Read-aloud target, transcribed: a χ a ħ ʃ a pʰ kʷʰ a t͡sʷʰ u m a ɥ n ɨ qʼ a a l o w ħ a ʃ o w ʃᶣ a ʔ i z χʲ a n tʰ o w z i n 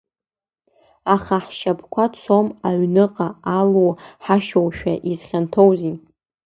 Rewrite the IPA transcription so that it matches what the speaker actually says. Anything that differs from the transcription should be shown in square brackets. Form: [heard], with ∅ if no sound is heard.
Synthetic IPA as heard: a χ a ħ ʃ a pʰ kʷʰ a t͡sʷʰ [o] m a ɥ n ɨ qʼ a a l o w ħ a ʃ o w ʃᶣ a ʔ i z χʲ a n tʰ o w z i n